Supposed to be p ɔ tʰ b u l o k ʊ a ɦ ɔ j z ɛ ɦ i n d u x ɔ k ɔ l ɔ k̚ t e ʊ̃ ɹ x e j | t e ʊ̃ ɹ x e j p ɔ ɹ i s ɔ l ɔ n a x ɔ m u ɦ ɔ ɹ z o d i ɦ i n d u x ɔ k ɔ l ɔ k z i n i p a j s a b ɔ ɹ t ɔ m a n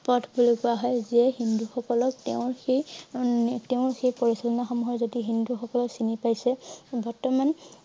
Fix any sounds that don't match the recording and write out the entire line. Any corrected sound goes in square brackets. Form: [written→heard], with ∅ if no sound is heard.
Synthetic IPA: p ɔ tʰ b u l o k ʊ a ɦ ɔ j z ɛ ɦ i n d u x ɔ k ɔ l ɔ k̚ t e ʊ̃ ɹ x e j | t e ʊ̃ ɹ x e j p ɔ ɹ i s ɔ l ɔ n a x ɔ m u ɦ ɔ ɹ z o d i ɦ i n d u x ɔ k ɔ l ɔ k [z→s] i n i p a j s [a→ɛ] b ɔ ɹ t ɔ m a n